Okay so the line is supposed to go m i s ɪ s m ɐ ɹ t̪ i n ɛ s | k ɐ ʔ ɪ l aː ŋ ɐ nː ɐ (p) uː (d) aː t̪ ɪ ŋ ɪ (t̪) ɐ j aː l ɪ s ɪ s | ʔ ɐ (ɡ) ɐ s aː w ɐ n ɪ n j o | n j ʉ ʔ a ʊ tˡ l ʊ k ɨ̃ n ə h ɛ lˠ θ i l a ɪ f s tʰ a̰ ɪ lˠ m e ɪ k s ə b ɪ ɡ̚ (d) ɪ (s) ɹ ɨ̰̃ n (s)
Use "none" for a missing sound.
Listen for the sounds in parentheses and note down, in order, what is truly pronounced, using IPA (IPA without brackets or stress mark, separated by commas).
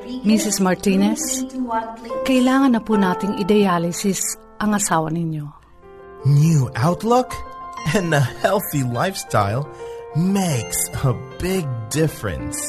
p, n, d̪, ŋ, d, f, s